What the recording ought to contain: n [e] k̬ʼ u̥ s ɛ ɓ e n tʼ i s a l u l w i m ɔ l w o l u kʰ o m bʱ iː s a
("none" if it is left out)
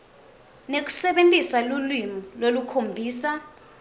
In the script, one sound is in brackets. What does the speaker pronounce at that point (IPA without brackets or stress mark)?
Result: e